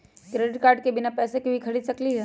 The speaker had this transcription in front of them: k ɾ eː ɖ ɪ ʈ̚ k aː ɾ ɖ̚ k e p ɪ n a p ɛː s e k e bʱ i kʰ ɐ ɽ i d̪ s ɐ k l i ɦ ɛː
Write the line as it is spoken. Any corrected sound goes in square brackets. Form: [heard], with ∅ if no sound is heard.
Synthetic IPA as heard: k ɾ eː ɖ ɪ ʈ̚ k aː ɾ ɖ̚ k e [b] ɪ n a p ɛː s e k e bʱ i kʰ ɐ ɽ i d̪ s ɐ k l i ɦ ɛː